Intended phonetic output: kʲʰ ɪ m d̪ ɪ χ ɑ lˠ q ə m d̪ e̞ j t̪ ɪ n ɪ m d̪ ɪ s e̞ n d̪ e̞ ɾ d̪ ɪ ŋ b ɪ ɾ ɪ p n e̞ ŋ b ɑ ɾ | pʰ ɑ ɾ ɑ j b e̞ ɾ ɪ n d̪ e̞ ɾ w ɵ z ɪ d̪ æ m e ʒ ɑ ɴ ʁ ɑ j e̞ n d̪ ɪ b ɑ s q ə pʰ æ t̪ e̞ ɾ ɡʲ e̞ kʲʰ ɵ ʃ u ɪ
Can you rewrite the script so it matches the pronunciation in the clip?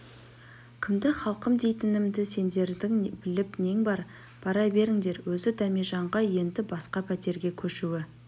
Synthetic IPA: kʲʰ ɪ m d̪ ɪ χ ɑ lˠ q ə m d̪ e̞ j t̪ ɪ n ɪ m d̪ ɪ s e̞ n d̪ e̞ ɾ d̪ ɪ ŋ b ɪ l ɪ p n e̞ ŋ b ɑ ɾ | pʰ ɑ ɾ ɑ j b e̞ ɾ ɪ ŋ d̪ e̞ ɾ w ɵ z ɪ d̪ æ m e ʒ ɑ ɴ ʁ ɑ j e̞ n d̪ ɪ b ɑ s q ɑ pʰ æ t̪ e̞ ɾ ɡʲ e̞ kʲʰ ɵ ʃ u ɪ